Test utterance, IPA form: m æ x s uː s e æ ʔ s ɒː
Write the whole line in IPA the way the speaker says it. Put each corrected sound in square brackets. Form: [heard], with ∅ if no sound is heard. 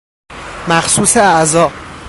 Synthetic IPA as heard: m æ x s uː s e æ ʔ [z] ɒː